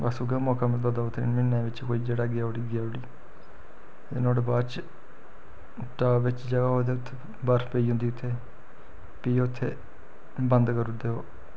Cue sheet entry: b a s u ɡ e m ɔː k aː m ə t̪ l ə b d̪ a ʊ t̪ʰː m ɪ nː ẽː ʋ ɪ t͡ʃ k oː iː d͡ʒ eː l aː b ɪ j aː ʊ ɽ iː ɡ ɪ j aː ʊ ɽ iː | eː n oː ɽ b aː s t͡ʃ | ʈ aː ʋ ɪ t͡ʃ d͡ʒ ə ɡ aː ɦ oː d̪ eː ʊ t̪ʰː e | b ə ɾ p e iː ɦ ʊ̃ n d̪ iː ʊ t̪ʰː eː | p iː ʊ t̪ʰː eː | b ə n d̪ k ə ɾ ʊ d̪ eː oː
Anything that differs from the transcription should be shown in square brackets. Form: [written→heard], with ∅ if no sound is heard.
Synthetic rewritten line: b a s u ɡ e m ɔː k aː m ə t̪ l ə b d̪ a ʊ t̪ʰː m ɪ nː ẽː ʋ ɪ t͡ʃ k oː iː d͡ʒ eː [l→ɽ] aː [b→ɡ] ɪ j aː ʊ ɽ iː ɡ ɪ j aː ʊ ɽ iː | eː n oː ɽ b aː [s→∅] t͡ʃ | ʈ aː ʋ ɪ t͡ʃ d͡ʒ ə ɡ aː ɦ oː d̪ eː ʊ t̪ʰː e | b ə ɾ p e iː ɦ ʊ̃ n d̪ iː ʊ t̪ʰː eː | p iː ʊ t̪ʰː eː | b ə n d̪ k ə ɾ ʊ d̪ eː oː